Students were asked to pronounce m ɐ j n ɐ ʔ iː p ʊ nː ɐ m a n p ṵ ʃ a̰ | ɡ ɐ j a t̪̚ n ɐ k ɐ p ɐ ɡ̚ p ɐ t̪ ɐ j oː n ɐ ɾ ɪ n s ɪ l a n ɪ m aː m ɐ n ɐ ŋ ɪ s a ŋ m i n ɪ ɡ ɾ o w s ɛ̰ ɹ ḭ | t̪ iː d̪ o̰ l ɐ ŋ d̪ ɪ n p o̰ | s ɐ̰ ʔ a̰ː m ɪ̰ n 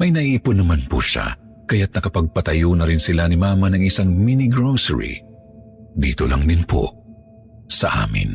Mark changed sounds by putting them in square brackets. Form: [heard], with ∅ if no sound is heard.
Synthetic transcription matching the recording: m ɐ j n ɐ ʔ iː p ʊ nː ɐ m a n p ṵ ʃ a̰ | [k] ɐ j a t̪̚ n ɐ k ɐ p ɐ ɡ̚ p ɐ t̪ ɐ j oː n ɐ ɾ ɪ n s ɪ l a n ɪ m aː m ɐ n ɐ ŋ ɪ s a ŋ m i n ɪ ɡ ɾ o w s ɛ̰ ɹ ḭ | [d̪] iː [t̪] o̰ l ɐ ŋ d̪ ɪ n p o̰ | s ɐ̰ ʔ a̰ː m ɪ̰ n